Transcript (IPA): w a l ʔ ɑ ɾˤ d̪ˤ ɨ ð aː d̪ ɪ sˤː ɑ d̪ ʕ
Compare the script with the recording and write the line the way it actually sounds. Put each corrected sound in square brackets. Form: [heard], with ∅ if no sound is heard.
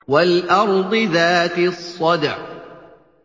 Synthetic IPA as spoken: w a l ʔ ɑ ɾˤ d̪ˤ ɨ ð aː [t̪] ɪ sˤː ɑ d̪ ʕ